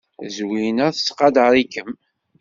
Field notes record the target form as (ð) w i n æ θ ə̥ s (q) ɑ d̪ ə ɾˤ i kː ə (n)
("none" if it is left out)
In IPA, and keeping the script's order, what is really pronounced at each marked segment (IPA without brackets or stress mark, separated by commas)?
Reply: z, q, m